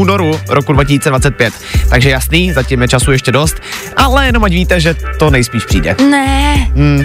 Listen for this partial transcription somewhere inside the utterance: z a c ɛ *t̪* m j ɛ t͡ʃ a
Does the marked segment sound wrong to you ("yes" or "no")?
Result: yes